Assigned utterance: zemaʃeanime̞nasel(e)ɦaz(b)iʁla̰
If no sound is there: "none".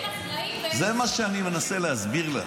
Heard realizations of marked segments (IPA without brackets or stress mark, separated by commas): e, b